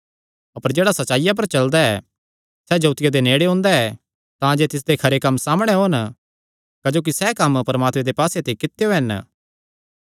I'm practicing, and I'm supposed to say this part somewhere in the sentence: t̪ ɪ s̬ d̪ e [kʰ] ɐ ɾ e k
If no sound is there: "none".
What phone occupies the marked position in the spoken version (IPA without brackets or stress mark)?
kʰ